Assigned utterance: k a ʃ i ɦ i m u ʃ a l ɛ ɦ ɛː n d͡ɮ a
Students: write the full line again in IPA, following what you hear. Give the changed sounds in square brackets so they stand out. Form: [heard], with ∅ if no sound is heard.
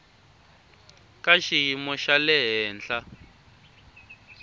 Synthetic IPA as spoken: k a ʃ i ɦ i m [ɔ] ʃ a l ɛ ɦ ɛː n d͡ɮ a

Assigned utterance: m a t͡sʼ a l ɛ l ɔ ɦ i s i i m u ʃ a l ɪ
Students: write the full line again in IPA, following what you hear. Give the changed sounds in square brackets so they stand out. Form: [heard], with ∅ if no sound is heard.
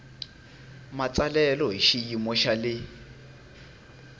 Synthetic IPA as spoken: m a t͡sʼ a l ɛ l ɔ ɦ i [ʃ] i i m [ɔ] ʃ a l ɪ

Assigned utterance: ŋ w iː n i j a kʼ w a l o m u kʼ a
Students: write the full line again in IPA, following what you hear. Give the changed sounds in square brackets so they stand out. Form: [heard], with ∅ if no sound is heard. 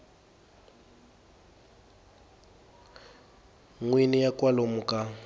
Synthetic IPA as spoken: ŋ w [i] n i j a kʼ w a l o m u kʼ a

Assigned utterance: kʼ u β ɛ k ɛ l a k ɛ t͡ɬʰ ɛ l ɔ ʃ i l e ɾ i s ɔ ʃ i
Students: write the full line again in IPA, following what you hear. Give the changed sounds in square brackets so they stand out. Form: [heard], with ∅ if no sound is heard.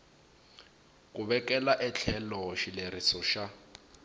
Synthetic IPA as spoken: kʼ u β ɛ k ɛ l a [ʔ] ɛ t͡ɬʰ ɛ l ɔ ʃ i l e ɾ i s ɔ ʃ [a]

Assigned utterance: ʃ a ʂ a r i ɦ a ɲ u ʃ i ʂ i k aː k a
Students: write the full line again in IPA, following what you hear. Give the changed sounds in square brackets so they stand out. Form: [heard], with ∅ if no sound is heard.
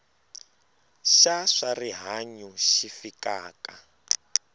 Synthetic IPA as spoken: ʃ a ʂ a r i ɦ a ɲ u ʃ i [f] i k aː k a

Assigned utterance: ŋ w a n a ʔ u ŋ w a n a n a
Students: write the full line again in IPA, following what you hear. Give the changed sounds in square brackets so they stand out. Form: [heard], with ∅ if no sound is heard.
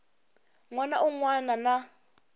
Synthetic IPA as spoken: ŋ w a n a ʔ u ŋ w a n a n a

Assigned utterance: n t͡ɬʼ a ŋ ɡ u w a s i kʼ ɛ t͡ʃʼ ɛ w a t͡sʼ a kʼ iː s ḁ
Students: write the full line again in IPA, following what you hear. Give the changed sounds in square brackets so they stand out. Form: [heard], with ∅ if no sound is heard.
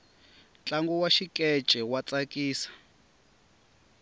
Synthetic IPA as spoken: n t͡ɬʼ a ŋ ɡ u w a [ʃ] i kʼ ɛ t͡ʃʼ ɛ w a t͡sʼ a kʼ iː s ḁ

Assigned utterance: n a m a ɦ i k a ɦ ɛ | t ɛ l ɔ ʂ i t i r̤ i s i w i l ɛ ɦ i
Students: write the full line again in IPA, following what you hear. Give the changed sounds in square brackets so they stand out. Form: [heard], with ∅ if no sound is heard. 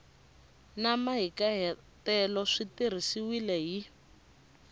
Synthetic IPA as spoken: n a m a ɦ i k a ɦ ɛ | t ɛ l ɔ ʂ i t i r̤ i s i w i l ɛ ɦ i

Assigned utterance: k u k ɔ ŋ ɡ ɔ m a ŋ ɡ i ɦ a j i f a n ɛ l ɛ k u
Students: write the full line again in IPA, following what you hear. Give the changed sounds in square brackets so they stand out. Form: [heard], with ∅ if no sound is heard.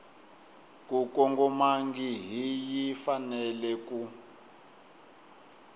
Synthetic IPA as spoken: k u k ɔ ŋ ɡ ɔ m a ŋ ɡ i ɦ [i] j i f a n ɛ l ɛ k u

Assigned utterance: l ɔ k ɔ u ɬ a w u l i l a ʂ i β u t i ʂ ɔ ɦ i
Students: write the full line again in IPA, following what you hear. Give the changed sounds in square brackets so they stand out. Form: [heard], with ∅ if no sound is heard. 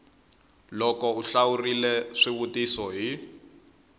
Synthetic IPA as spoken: l ɔ k ɔ u ɬ a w u [r] i l [ɛ] ʂ i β u t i [s] ɔ ɦ i

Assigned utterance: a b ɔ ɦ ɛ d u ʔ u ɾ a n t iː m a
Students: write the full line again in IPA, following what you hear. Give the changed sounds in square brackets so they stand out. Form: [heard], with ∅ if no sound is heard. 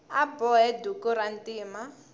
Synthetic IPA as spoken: a b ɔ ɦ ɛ d u [k] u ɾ a n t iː m a

